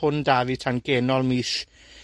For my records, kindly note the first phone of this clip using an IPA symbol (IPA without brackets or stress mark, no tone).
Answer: ʊ